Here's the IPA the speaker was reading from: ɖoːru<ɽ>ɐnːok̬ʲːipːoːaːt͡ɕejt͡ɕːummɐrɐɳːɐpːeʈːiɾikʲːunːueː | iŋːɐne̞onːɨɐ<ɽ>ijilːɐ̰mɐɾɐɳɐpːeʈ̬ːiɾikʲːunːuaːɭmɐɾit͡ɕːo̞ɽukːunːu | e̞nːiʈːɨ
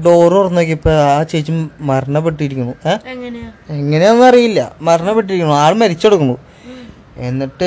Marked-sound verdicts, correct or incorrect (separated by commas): incorrect, incorrect